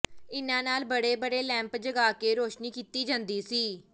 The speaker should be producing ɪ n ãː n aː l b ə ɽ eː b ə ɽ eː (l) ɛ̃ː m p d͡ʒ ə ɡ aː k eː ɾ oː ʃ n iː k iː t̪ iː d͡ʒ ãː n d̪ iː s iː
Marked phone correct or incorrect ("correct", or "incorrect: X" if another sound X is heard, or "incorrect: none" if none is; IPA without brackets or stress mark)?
correct